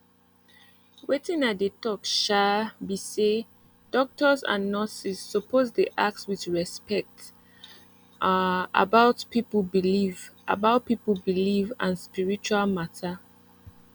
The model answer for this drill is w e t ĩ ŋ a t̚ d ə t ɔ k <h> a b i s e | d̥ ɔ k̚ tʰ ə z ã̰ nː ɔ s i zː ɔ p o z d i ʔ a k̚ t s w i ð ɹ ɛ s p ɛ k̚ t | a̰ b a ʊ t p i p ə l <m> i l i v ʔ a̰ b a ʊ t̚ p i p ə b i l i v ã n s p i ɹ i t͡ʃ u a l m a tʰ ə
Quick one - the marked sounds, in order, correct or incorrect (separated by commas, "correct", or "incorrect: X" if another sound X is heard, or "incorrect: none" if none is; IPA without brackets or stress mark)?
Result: incorrect: ʃ, incorrect: b